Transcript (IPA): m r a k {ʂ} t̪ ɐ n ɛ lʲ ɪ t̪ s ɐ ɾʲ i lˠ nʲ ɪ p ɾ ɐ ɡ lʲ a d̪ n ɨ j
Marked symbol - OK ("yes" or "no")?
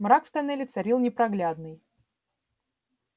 no